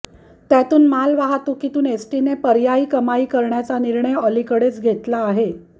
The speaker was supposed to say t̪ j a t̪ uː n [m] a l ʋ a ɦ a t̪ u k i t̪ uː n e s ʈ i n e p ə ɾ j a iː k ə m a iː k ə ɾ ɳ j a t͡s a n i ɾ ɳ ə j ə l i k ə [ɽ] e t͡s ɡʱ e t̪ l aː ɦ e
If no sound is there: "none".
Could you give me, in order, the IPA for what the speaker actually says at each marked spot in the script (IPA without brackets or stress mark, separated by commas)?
m, ɽ